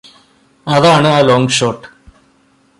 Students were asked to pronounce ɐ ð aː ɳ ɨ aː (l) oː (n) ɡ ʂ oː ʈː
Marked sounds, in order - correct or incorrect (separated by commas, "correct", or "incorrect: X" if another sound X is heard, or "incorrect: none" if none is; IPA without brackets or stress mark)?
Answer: correct, incorrect: ŋ